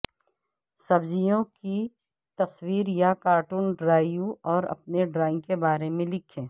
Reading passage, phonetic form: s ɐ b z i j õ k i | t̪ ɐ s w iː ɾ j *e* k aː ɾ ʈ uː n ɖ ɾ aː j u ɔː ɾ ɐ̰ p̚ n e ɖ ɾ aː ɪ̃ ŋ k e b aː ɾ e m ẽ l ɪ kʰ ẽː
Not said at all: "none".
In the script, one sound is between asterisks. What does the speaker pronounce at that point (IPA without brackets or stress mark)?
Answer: a